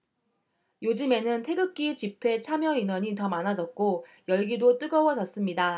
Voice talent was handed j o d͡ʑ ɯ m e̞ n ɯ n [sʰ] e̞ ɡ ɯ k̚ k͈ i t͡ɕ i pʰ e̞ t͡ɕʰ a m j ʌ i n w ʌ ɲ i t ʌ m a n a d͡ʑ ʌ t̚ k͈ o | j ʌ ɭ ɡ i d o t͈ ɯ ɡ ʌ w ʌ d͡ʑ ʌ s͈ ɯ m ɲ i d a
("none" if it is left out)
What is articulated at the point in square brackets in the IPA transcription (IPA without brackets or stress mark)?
tʰ